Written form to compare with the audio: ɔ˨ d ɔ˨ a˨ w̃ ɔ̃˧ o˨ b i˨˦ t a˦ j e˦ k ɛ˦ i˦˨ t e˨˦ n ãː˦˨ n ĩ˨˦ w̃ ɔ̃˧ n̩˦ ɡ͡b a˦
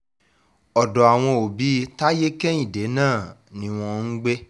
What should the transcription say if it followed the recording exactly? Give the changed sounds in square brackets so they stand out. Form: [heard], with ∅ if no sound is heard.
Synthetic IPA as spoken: ɔ˨ d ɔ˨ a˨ w̃ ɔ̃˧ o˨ b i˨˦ t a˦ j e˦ k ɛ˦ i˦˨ [d] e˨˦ n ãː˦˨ n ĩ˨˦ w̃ ɔ̃˧ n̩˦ ɡ͡b [e˦]